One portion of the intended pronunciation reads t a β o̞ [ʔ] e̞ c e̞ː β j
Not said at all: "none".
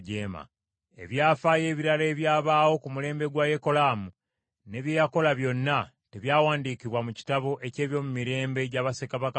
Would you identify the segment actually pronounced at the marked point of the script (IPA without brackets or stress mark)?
ʔ